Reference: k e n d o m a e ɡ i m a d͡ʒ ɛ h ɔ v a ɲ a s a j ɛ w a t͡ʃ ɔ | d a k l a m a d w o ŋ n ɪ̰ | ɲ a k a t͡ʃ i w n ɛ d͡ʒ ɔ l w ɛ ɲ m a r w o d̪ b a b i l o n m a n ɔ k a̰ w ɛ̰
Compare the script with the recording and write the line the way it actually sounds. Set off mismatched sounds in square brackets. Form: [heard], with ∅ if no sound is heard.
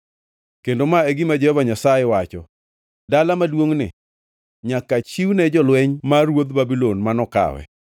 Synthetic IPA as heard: k e n d o m a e ɡ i m a d͡ʒ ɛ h ɔ v a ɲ a s a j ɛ w a t͡ʃ ɔ | d a [∅] l a m a d w o ŋ n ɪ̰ | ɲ a k a t͡ʃ i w n ɛ d͡ʒ ɔ l w ɛ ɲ m a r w o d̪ b a b i l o n m a n ɔ k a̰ w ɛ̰